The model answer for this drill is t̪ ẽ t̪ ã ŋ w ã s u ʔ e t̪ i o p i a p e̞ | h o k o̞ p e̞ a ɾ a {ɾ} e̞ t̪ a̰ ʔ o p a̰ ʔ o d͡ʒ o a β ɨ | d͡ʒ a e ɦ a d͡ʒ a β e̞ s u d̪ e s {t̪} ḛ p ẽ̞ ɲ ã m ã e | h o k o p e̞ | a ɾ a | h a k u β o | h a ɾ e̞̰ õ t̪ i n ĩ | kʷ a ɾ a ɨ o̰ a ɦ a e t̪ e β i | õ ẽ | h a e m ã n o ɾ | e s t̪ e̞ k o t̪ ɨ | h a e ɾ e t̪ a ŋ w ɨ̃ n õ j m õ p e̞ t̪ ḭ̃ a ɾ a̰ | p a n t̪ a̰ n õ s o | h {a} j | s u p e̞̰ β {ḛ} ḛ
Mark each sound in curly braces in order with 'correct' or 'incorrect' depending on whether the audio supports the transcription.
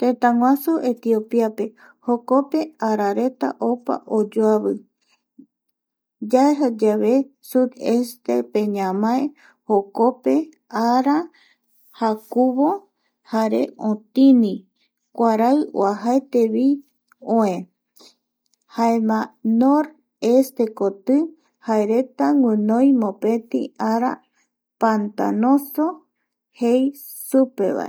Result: correct, correct, incorrect, incorrect

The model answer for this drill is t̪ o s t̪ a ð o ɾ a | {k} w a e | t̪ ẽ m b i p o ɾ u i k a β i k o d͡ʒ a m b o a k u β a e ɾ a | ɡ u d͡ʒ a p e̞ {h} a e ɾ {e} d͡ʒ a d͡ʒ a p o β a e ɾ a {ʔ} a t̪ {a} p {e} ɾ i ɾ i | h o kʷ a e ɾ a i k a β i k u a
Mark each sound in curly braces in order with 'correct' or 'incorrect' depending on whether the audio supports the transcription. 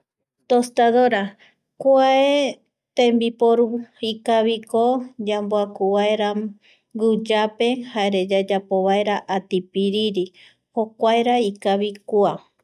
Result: correct, correct, correct, correct, incorrect, incorrect

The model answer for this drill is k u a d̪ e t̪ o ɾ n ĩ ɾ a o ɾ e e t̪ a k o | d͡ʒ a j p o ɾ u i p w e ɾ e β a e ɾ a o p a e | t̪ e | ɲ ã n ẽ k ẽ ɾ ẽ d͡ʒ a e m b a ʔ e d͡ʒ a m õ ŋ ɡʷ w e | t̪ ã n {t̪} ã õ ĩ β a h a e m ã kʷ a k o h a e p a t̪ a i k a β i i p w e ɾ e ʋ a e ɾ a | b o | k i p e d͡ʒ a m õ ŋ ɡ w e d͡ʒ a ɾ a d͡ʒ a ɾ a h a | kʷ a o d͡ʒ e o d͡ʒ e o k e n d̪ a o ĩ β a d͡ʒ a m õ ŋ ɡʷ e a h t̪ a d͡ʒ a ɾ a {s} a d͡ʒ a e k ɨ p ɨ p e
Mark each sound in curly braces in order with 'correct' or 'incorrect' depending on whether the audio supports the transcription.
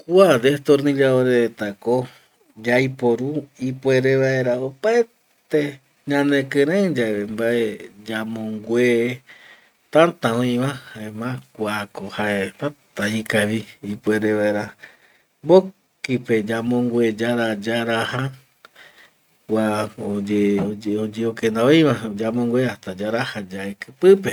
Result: correct, incorrect

